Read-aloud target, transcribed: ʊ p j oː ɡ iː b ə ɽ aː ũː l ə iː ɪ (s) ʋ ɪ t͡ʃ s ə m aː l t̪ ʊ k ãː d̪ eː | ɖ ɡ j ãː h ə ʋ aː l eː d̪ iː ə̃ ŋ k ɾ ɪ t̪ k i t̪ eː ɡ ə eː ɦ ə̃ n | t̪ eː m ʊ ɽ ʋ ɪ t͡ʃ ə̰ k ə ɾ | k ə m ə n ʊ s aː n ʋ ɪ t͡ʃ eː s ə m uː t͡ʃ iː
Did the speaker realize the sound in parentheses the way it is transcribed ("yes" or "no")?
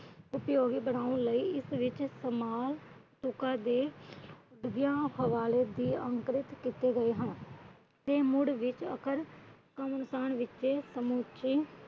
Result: yes